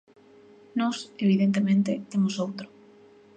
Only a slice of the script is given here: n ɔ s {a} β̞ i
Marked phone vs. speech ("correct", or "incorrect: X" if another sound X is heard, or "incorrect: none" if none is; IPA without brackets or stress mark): incorrect: e